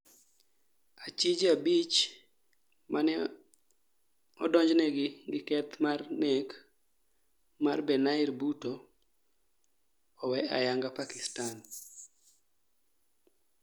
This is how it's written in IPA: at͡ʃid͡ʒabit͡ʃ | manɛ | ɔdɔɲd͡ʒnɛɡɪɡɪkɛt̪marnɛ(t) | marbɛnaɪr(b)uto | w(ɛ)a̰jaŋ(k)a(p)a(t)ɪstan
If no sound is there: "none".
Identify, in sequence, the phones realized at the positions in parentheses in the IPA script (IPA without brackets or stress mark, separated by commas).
k, b, ɛ, ɡ, p, k